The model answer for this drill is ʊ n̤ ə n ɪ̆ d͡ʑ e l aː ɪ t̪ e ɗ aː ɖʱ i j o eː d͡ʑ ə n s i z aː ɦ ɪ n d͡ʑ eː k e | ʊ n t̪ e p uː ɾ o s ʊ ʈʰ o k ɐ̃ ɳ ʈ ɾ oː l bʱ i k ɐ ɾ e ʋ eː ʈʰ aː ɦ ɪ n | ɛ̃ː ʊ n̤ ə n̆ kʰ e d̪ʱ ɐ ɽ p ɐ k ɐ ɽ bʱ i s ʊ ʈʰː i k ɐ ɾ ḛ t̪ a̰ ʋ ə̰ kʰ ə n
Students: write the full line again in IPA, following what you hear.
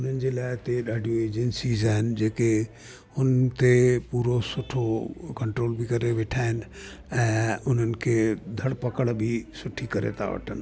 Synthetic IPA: ʊ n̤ ə n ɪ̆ d͡ʑ e l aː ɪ t̪ e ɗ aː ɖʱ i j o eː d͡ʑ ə n s i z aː ɦ ɪ n d͡ʑ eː k e | ʊ n t̪ e p uː ɾ o s ʊ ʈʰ o k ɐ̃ ɳ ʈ ɾ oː l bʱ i k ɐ ɾ e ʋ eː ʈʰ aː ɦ ɪ n | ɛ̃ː ʊ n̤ ə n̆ kʰ e d̪ʱ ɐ ɽ p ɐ k ə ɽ bʱ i s ʊ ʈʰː i k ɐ ɾ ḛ t̪ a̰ ʋ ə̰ ʈʰ ə n